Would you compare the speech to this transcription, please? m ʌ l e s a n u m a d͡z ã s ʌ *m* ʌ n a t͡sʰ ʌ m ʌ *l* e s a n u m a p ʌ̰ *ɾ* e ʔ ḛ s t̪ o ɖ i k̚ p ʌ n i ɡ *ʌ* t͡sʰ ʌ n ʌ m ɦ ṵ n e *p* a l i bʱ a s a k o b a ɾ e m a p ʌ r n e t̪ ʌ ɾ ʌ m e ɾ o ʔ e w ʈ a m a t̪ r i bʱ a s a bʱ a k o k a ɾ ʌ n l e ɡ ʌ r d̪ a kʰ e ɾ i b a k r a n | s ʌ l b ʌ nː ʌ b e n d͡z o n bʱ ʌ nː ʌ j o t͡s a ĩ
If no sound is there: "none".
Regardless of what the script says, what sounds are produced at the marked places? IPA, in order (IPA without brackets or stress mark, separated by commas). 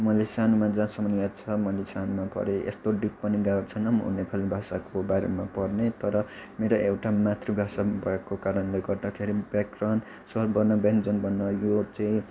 m, l, ɾ, a, pʰ